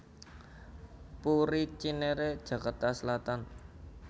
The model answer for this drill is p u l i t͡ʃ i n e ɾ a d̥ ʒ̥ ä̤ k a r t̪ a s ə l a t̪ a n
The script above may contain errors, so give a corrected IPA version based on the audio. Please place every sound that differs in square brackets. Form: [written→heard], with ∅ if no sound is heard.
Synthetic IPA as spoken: p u [l→ɾ] i t͡ʃ i n e ɾ [a→e] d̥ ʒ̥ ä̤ k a r t̪ a s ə l a t̪ a n